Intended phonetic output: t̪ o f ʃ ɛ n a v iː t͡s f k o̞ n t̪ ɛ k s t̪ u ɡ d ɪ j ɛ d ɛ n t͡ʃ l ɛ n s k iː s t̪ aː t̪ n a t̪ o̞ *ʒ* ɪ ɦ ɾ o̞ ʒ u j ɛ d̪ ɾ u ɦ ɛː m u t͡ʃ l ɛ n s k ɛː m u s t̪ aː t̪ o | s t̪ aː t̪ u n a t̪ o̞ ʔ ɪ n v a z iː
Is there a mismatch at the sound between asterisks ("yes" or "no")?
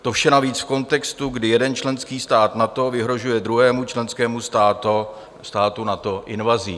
yes